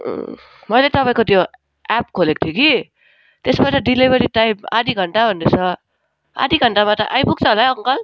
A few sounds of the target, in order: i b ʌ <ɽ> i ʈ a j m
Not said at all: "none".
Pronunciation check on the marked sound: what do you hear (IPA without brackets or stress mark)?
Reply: ɾ